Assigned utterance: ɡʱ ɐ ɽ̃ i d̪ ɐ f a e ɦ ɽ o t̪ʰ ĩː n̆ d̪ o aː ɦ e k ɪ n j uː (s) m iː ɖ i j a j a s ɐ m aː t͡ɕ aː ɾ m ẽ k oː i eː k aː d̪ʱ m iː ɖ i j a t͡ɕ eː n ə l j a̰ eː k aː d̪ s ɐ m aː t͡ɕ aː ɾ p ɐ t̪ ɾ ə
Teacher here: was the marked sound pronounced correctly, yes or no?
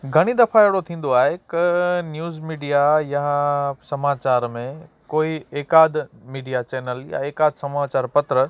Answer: no